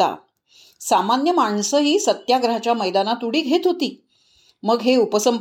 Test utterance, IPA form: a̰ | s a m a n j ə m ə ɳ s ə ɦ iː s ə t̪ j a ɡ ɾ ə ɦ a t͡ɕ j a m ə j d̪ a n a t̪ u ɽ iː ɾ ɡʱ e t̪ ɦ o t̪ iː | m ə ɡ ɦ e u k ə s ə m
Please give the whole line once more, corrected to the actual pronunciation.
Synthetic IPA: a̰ | s a m a n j ə m a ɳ s ə ɦ iː s ə t̪ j a ɡ ɾ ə ɦ a t͡ɕ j a m ə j d̪ a n a t̪ u ɽ iː ɡʱ e t̪ ɦ o t̪ iː | m ə ɡ ɦ e u p ə s ə m